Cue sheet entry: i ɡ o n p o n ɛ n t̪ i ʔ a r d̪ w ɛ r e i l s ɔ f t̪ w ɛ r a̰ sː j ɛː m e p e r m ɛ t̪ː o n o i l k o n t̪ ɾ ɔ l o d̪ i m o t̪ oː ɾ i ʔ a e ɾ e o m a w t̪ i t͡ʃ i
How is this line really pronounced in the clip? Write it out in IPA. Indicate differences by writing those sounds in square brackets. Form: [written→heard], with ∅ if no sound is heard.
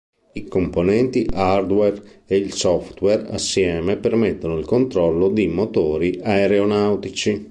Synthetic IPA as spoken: i [ɡ→k] o [n→m] p o n ɛ n t̪ i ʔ a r d̪ w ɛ r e i l s ɔ f t̪ w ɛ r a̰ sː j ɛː m e p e r m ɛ t̪ː o n o i l k o n t̪ ɾ ɔ [l→lː] o d̪ i m o t̪ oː ɾ i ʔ a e ɾ e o [m→n] a w t̪ i t͡ʃ i

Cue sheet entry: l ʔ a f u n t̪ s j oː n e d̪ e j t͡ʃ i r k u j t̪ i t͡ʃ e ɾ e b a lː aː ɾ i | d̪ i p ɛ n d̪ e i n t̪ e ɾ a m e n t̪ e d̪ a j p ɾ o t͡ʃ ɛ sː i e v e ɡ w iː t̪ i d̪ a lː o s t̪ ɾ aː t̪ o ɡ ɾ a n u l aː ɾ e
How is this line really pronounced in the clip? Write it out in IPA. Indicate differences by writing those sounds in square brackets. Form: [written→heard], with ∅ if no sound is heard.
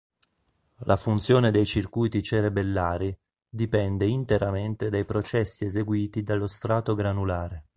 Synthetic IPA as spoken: l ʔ a f u n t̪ s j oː n e d̪ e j t͡ʃ i r k u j t̪ i t͡ʃ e ɾ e b [a→e] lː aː ɾ i | d̪ i p ɛ n d̪ e i n t̪ e ɾ a m e n t̪ e d̪ a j p ɾ o t͡ʃ ɛ sː i e [v→z] e ɡ w iː t̪ i d̪ a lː o s t̪ ɾ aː t̪ o ɡ ɾ a n u l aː ɾ e

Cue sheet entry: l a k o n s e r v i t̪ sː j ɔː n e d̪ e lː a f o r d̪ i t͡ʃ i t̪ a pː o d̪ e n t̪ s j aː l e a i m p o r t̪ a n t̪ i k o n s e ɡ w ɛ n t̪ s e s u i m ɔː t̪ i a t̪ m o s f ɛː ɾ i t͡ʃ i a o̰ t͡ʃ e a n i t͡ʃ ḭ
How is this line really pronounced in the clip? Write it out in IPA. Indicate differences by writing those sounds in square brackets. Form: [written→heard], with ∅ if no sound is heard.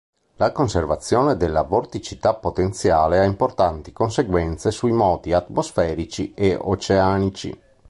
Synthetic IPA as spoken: l a k o n s e r v [i→a] t̪ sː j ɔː n e d̪ e lː a [f→v] o r [d̪→t̪] i t͡ʃ i t̪ a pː o [d̪→t̪] e n t̪ s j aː l e a i m p o r t̪ a n t̪ i k o n s e ɡ w ɛ n t̪ s e s u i m ɔː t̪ i a t̪ m o s f ɛː ɾ i t͡ʃ i [a→e] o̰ t͡ʃ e a n i t͡ʃ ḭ

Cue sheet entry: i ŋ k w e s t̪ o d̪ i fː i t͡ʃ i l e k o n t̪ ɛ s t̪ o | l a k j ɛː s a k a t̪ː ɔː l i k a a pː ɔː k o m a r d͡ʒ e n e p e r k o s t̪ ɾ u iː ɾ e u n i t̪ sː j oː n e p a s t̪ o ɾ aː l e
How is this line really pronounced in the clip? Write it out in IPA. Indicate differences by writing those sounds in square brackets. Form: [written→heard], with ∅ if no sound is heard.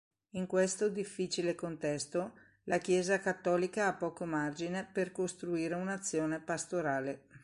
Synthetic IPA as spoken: i ŋ k w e s t̪ o d̪ i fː i t͡ʃ i l e k o n t̪ ɛ s t̪ o | l a k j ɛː [s→z] a k a t̪ː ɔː l i k a a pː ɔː k o m a r d͡ʒ [e→i] n e p e r k o s t̪ ɾ u iː ɾ e u n [i→a] t̪ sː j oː n e p a s t̪ o ɾ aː l e

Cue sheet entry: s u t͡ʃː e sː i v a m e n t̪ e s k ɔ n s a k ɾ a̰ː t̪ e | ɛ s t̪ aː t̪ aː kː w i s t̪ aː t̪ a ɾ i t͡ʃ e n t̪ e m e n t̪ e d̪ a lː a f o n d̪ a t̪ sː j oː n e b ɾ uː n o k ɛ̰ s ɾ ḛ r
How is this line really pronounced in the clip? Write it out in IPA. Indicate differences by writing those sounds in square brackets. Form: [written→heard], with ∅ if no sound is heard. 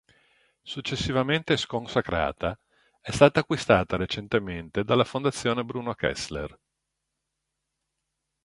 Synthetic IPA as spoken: s u t͡ʃː e sː i v a m e n t̪ e s k [ɔ→o] n s a k ɾ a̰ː t̪ [e→a] | ɛ s t̪ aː t̪ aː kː w i s t̪ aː t̪ a ɾ [i→e] t͡ʃ e n t̪ e m e n t̪ e d̪ a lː a f o n d̪ a t̪ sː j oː n e b ɾ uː n o k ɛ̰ s [ɾ→l] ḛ r

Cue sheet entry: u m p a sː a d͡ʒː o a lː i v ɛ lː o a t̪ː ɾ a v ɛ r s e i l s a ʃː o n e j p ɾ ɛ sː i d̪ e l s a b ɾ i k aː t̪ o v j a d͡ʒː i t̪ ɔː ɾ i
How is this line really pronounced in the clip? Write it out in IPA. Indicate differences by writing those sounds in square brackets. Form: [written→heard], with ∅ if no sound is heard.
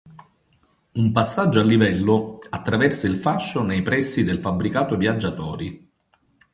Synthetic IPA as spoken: u m p a sː a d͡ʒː o a lː i v ɛ lː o a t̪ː ɾ a v ɛ r s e i l [s→f] a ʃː o n e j p ɾ ɛ sː i d̪ e l [s→f] a b ɾ i k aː t̪ o v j a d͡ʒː [i→a] t̪ ɔː ɾ i

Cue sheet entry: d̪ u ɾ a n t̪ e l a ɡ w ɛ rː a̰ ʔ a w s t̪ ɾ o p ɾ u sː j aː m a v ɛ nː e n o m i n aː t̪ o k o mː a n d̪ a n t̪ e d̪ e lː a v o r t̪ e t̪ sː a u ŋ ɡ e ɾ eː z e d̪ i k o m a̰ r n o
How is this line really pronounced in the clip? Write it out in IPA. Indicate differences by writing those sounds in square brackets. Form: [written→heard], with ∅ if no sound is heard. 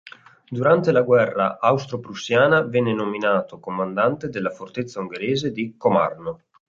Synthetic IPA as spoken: d̪ u ɾ a n t̪ e l a ɡ w ɛ rː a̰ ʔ a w s t̪ ɾ o p ɾ u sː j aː [m→n] a v ɛ nː e n o m i n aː t̪ o k o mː a n d̪ a n t̪ e d̪ e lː a [v→f] o r t̪ e t̪ sː a u ŋ ɡ e ɾ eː z e d̪ i k o m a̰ r n o

